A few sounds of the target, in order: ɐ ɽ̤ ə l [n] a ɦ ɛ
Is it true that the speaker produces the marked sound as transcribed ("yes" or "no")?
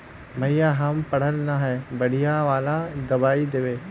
yes